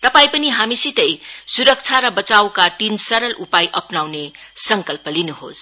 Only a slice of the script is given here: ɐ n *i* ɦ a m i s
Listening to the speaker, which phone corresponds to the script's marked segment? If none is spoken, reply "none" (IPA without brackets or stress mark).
i